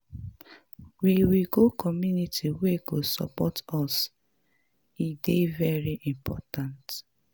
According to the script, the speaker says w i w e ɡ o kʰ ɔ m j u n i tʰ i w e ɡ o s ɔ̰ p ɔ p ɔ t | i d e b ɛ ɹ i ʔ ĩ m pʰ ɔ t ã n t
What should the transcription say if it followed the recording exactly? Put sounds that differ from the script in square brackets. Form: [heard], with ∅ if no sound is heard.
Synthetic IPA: w i w [i] ɡ o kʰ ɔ m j u n i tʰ i w e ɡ o s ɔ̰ p ɔ [t] ɔ [s] | i d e [v] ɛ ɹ i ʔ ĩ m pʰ ɔ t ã n t